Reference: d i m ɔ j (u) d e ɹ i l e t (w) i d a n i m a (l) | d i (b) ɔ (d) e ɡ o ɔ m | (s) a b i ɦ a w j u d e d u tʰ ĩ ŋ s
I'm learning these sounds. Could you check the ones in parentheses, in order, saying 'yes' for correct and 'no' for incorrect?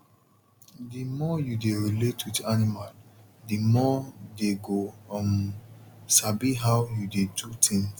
yes, yes, yes, no, yes, yes

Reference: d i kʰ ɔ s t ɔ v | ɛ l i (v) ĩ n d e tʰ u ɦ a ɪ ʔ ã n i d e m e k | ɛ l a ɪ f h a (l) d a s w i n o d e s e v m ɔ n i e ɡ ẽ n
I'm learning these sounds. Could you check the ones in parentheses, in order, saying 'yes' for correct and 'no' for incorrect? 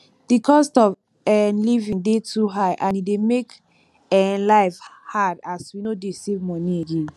yes, no

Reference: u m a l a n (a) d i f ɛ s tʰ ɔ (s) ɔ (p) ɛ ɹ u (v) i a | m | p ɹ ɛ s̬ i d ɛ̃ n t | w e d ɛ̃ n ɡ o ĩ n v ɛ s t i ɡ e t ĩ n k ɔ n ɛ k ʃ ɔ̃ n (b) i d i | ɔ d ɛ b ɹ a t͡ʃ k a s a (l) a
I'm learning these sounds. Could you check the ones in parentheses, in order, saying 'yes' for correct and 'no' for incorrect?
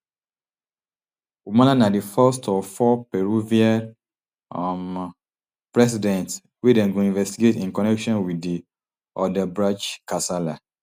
yes, no, yes, yes, no, yes

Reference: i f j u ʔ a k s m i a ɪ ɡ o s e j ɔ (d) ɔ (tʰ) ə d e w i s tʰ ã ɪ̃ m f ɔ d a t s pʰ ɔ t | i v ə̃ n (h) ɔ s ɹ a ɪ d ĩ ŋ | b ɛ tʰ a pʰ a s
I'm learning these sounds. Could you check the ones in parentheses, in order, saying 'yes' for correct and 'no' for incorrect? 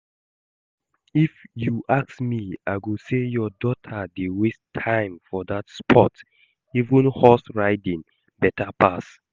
yes, yes, yes

